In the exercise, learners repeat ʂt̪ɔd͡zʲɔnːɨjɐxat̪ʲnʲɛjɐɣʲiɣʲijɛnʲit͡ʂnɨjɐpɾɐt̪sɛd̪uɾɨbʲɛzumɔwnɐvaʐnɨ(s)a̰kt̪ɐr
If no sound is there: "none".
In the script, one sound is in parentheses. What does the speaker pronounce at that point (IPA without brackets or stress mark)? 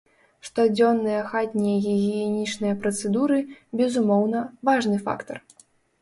f